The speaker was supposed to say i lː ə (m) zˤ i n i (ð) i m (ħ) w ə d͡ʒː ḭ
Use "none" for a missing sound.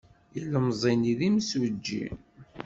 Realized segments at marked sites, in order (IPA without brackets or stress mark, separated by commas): m, ð, s